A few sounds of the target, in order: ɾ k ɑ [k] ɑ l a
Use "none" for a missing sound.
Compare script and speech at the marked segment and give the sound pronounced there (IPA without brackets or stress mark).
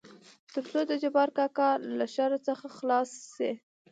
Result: k